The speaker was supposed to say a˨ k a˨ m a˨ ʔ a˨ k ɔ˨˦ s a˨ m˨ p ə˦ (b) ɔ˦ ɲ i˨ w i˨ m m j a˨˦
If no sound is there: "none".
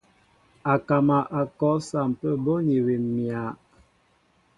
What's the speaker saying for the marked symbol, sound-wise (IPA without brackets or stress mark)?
b